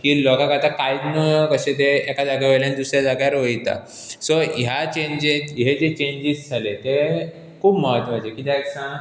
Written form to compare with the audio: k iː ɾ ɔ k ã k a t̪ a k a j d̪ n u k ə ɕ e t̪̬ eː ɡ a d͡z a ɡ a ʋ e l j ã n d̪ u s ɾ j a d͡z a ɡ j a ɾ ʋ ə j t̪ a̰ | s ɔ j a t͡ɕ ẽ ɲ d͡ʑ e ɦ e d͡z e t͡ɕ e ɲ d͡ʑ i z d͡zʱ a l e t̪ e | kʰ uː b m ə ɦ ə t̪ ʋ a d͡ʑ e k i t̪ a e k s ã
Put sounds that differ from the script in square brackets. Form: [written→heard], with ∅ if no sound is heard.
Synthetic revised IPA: k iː [ɾ→l] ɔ k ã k a t̪ a k a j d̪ n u k ə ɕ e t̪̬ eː [ɡ→k] a d͡z a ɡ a ʋ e l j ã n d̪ u s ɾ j a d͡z a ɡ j a ɾ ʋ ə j t̪ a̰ | s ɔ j a t͡ɕ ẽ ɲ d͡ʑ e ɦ e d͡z e t͡ɕ e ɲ d͡ʑ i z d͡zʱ a l e t̪ e | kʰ uː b m ə ɦ ə t̪ ʋ a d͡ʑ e k i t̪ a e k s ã